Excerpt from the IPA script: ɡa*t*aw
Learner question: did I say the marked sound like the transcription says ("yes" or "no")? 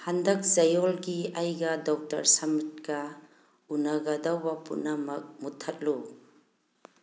no